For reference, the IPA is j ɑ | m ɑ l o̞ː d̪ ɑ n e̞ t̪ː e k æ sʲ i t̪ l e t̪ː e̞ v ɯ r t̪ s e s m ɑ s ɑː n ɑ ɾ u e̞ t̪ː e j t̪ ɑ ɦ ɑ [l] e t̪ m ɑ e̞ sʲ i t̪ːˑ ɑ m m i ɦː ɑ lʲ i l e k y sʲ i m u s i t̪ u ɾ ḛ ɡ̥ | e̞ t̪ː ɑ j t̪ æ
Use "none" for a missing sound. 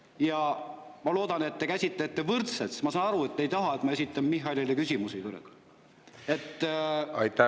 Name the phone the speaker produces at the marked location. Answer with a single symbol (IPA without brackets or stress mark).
none